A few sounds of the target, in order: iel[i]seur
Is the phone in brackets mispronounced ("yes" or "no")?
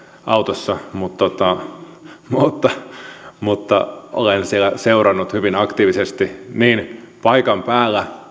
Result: yes